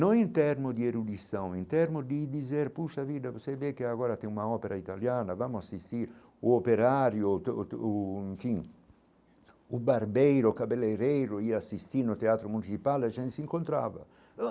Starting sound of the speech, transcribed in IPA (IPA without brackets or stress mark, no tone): n